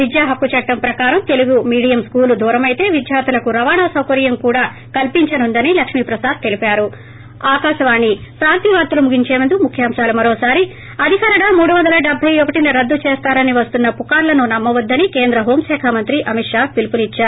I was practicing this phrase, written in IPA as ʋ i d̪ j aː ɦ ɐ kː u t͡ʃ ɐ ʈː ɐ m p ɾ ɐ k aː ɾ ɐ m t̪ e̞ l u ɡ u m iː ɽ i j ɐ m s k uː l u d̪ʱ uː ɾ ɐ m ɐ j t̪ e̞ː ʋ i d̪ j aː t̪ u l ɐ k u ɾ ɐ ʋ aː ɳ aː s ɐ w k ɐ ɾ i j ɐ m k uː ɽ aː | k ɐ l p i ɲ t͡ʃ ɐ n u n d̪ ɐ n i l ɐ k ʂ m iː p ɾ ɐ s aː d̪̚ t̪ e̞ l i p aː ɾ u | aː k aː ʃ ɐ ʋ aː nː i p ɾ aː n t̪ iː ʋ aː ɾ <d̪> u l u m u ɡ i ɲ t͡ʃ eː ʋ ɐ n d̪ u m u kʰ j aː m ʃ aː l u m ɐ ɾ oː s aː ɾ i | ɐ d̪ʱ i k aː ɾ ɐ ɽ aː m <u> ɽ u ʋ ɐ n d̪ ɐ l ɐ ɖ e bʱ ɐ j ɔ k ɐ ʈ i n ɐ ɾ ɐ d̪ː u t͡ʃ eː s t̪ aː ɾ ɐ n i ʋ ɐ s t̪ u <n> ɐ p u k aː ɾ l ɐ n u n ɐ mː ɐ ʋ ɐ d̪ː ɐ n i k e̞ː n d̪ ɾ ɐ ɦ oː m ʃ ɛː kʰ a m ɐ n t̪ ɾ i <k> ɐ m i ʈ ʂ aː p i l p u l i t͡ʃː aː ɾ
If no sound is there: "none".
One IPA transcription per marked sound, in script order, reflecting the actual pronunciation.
t̪, uː, nː, ʔ

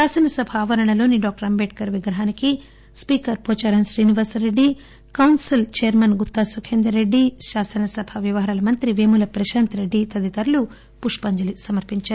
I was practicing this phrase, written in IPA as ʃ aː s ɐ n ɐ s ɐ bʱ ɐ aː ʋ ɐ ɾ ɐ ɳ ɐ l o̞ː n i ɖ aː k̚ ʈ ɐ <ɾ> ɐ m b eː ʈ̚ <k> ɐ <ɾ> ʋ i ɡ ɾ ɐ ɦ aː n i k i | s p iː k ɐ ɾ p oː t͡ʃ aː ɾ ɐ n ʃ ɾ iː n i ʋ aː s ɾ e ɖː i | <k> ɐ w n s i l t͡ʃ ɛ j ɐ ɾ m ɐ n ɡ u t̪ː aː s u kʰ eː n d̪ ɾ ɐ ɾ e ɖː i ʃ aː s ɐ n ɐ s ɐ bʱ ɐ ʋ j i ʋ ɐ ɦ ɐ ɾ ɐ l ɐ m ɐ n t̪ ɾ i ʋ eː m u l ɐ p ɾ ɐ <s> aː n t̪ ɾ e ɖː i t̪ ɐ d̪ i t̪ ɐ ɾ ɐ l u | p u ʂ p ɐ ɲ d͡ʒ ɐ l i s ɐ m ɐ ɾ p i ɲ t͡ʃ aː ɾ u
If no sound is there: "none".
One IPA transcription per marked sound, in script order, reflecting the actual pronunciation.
ɾ, k, ɾ, k, ʃ

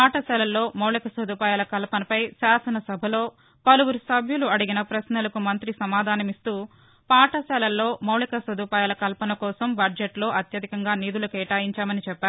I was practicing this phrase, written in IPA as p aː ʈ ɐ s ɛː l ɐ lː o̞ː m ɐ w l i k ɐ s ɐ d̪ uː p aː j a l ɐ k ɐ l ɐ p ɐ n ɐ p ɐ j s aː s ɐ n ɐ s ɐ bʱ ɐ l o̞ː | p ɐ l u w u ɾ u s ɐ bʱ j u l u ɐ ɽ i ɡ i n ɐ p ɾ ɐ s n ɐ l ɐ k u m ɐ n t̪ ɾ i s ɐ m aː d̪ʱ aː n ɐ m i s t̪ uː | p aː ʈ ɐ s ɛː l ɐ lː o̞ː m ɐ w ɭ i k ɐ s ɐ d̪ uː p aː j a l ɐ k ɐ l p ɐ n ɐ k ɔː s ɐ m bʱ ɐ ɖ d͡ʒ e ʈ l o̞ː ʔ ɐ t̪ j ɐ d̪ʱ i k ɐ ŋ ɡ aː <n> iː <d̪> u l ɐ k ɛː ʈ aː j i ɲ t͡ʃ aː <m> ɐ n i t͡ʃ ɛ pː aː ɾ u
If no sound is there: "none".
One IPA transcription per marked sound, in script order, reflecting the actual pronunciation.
n, d̪, m

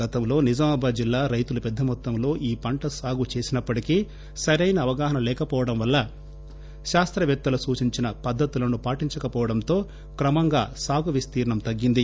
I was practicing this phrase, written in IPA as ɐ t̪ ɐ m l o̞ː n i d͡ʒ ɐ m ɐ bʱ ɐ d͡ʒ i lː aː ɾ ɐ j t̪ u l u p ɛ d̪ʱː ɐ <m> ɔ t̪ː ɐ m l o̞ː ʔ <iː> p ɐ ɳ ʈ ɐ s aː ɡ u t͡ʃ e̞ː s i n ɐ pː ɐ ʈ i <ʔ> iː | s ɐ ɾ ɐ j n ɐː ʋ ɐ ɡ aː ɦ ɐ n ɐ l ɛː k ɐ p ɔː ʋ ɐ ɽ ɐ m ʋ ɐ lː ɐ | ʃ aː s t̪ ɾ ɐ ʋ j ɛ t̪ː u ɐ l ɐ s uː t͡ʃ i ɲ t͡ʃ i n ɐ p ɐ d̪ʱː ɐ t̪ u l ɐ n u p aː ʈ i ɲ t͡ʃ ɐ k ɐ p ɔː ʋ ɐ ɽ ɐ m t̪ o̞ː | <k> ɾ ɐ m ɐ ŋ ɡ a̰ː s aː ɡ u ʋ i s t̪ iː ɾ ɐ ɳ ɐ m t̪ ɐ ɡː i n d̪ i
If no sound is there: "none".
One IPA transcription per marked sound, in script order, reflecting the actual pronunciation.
m, iː, k, k

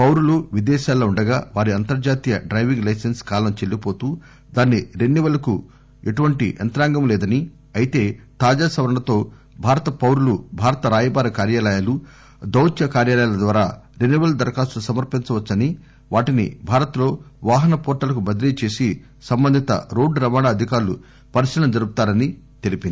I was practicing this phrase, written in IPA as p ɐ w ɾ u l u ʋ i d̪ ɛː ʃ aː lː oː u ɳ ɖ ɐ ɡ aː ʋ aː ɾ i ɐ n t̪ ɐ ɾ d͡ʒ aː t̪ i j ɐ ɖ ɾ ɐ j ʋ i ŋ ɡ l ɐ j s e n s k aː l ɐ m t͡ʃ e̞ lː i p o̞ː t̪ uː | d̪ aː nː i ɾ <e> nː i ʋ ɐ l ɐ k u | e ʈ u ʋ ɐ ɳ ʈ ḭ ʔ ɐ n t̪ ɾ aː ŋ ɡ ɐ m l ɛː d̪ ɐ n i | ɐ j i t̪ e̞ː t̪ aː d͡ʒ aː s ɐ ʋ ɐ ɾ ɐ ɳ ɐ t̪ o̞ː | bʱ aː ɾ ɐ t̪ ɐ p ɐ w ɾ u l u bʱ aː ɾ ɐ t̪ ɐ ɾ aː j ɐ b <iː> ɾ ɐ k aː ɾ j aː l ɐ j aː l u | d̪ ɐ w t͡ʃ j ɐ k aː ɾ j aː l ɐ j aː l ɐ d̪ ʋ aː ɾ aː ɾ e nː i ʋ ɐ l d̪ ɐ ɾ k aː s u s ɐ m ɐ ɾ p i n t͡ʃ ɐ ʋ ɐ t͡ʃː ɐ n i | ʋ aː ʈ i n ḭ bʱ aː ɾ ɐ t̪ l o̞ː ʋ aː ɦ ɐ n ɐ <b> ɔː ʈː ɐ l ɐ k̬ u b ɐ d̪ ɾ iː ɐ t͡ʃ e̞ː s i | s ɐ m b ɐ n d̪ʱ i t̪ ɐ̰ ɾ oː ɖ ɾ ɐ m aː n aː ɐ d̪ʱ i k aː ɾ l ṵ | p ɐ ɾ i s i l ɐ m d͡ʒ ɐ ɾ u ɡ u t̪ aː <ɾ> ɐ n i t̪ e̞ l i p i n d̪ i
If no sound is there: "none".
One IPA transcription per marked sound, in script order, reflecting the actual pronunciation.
e, aː, p, ɾ

